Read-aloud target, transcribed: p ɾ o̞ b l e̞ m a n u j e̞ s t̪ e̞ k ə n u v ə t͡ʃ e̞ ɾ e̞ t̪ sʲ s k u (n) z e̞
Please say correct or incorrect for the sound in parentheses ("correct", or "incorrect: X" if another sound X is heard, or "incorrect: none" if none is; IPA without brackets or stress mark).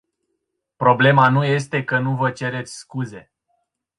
incorrect: none